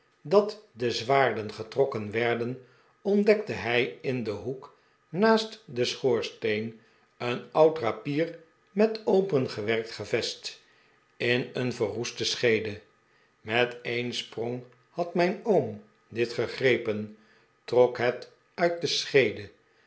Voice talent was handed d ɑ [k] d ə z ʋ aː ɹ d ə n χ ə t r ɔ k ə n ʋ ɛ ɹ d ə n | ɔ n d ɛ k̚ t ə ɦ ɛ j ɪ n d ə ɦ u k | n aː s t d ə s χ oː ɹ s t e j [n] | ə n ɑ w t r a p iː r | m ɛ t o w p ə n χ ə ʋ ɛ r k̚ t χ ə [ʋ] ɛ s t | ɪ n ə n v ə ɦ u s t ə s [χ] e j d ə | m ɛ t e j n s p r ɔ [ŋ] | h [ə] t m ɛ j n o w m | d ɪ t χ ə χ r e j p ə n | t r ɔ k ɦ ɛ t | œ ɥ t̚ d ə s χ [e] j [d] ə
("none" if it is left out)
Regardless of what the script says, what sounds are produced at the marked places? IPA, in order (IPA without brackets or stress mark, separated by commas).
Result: t, n, v, χ, ŋ, ɑ, e, d